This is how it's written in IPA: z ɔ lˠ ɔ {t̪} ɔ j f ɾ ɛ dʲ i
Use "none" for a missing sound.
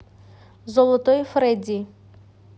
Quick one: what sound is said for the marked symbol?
t̪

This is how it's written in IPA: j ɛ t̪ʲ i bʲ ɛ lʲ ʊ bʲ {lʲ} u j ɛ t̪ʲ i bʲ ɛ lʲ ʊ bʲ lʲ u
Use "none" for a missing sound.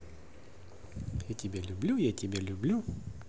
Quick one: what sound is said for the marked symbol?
lʲ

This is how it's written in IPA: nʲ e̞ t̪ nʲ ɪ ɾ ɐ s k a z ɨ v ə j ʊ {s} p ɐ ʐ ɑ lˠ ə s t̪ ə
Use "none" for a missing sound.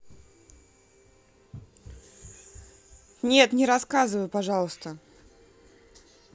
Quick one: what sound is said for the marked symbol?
none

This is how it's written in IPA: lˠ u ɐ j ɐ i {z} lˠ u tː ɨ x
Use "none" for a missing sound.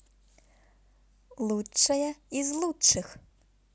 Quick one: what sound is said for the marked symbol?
z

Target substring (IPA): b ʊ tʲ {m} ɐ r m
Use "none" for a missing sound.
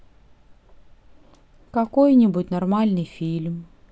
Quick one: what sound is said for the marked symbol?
n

